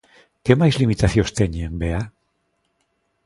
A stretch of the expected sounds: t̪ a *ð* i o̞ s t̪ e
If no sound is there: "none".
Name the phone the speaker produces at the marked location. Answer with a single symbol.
θ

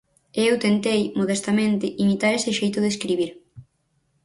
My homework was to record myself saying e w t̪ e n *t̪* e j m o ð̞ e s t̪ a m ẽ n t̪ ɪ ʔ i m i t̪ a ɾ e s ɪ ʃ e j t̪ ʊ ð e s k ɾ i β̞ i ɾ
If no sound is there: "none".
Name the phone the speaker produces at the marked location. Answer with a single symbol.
t̪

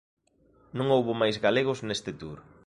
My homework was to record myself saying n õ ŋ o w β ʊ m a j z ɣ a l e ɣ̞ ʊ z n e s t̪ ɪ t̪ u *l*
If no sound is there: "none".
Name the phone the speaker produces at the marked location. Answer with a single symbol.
ɾ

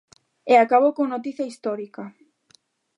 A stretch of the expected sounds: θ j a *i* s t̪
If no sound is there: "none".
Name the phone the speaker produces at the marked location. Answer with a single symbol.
i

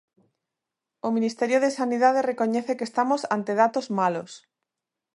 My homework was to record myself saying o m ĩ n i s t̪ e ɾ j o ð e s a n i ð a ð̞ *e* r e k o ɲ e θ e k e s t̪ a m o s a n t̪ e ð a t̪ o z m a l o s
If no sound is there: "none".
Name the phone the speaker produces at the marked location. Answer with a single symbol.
e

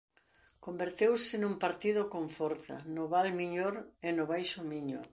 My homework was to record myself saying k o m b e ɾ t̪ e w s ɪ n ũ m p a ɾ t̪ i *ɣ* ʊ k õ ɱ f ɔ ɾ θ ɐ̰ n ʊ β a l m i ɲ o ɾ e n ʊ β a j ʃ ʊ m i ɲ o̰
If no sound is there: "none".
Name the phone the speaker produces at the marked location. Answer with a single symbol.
ð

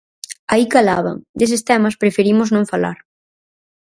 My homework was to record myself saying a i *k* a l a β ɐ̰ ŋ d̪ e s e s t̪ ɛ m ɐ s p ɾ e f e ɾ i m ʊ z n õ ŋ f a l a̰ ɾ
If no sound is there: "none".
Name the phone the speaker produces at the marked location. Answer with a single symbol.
k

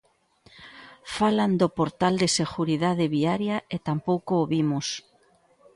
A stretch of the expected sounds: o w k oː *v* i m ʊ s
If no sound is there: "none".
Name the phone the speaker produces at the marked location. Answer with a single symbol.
β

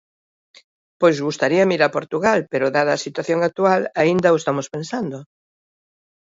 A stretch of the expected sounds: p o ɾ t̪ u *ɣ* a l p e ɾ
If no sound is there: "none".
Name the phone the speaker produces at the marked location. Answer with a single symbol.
ɣ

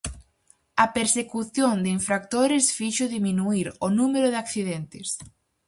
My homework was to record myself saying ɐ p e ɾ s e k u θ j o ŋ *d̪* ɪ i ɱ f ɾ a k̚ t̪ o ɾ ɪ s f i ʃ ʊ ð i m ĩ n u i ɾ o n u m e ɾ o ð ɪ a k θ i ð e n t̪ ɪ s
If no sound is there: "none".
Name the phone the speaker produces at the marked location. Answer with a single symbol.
d̪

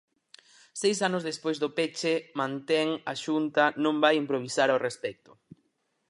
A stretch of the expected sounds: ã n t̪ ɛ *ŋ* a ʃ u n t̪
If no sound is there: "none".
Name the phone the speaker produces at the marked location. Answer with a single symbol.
ŋ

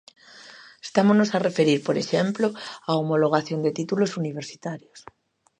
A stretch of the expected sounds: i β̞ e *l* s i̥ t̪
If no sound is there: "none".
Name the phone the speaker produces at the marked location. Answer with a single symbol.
ɾ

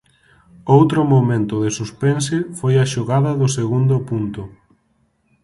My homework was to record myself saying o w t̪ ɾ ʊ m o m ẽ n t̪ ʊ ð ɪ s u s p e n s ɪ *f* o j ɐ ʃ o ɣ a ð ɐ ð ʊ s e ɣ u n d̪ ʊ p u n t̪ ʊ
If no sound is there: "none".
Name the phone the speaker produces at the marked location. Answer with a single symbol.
f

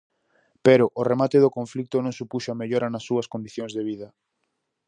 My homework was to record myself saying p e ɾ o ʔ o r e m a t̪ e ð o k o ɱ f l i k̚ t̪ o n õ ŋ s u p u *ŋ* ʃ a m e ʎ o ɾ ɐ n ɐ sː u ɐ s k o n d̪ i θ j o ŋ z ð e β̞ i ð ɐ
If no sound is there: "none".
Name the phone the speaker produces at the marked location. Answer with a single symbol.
none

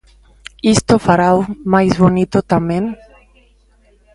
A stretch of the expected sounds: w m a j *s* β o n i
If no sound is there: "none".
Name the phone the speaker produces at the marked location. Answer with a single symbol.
z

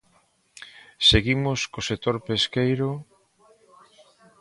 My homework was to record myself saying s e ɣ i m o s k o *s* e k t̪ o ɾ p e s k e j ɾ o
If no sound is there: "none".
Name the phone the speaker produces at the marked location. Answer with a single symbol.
s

